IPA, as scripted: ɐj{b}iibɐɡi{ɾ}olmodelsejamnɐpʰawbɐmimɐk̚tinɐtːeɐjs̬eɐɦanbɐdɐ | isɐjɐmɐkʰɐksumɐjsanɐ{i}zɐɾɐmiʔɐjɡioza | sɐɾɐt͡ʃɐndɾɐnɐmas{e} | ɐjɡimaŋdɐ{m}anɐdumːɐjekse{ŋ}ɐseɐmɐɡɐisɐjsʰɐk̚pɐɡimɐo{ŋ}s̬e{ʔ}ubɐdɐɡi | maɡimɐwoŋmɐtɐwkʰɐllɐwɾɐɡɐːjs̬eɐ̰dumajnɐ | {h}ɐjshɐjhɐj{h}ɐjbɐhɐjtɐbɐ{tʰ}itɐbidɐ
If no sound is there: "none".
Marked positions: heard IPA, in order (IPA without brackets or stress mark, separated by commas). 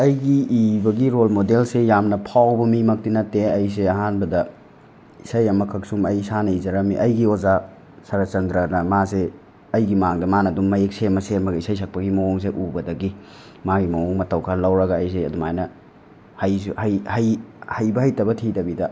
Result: ɡ, ɾ, i, e, m, m, ŋ, ʔ, h, h, tʰ